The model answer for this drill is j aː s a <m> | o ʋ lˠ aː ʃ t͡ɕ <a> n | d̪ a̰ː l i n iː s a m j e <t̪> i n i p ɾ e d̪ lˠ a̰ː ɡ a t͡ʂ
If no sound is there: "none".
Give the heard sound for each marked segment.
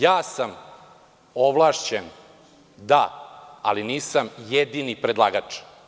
m, e, d̪

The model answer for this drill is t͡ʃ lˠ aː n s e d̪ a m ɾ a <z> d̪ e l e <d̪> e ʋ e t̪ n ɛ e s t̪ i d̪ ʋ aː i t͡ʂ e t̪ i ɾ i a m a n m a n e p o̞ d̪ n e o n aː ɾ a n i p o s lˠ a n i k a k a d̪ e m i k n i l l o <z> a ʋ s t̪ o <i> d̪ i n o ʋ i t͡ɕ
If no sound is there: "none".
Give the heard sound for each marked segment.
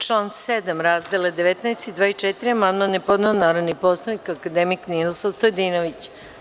z, d̪, s, j

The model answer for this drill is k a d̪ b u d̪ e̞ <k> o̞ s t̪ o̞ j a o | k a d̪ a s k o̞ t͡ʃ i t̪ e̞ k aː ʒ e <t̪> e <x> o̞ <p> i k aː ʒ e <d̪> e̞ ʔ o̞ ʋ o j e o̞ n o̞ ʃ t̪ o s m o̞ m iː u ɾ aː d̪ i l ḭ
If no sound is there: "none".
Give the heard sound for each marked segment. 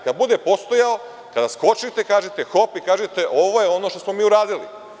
p, t̪, x, p, t̪

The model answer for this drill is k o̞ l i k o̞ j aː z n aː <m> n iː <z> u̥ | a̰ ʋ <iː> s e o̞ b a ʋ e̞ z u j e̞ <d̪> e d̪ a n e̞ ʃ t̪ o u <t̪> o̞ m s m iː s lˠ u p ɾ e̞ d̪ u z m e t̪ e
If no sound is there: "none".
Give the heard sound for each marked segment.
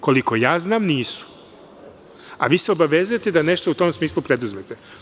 m, s, iː, t̪, t̪

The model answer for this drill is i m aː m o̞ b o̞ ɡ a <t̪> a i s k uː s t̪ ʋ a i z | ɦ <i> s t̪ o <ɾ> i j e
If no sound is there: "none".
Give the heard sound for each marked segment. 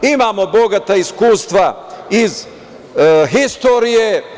t̪, i, ɾ

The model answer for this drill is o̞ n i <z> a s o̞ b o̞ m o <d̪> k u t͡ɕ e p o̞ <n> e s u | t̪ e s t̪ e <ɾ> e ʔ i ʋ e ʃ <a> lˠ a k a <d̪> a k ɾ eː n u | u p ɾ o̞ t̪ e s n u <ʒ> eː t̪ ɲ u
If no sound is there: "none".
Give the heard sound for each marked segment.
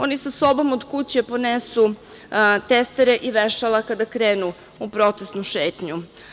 s, d̪, n, ɾ, a, d̪, ʃ

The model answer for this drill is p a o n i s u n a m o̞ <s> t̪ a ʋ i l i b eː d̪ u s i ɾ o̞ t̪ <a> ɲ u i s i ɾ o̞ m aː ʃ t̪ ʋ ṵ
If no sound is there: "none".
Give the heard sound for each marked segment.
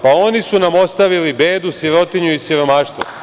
s, i

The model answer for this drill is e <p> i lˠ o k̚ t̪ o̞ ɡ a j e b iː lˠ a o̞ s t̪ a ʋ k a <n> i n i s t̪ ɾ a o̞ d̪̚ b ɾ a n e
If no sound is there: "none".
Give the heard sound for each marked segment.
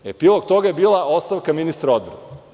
p, m

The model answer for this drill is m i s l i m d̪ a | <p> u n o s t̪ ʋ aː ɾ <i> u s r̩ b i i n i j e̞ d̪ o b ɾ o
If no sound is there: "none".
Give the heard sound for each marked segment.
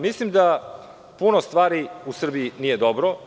p, i

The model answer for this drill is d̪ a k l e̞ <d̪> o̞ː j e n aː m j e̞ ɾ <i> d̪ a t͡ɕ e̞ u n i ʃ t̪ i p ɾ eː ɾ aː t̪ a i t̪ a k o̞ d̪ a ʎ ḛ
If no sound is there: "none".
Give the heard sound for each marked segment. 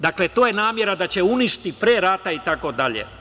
t̪, a

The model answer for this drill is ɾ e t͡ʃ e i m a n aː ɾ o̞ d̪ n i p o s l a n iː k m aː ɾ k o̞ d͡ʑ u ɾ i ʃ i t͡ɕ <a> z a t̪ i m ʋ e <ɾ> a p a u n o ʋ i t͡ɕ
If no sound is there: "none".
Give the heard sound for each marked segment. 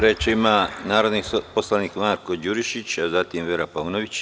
a, ɾ

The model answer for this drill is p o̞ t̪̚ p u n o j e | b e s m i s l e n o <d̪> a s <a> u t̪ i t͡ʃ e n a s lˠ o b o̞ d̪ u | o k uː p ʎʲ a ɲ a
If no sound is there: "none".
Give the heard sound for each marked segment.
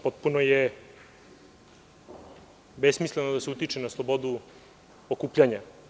d̪, e

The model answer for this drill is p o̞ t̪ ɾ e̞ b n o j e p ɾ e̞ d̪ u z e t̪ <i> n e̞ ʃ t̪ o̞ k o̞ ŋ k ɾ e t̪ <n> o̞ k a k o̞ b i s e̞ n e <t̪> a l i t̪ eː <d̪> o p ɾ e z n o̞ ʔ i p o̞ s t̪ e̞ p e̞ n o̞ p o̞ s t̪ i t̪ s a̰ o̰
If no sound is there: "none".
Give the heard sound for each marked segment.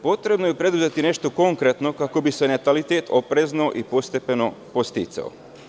i, n, t̪, t̪

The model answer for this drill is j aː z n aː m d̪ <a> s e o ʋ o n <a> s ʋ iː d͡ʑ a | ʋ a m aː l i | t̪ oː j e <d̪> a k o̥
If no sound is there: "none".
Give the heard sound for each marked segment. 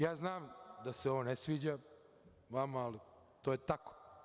a, e, t̪

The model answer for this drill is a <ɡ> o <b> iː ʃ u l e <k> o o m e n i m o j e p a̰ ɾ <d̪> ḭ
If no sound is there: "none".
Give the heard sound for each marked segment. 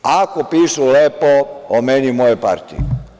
k, p, p, t̪

